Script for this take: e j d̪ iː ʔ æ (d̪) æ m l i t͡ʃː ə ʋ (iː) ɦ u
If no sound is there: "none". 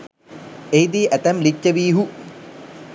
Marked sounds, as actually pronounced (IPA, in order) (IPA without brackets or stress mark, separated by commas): t̪, iː